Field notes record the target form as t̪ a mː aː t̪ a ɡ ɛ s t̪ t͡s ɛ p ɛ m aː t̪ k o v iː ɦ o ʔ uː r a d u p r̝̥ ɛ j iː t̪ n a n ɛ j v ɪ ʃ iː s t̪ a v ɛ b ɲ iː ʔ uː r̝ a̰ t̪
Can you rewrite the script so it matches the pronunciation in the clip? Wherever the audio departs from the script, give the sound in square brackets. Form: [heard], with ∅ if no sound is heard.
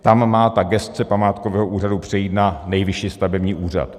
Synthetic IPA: t̪ a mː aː t̪ a ɡ ɛ s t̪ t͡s ɛ p [a] m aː t̪ k o v [ɛː] ɦ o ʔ uː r a d u p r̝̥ ɛ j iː t̪ n a n ɛ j v ɪ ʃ iː s t̪ a v ɛ b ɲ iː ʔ uː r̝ a̰ t̪